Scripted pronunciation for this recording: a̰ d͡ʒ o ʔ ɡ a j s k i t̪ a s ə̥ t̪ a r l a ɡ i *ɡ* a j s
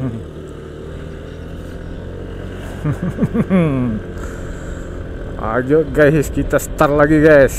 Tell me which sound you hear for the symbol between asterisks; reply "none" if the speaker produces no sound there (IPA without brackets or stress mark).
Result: ɡ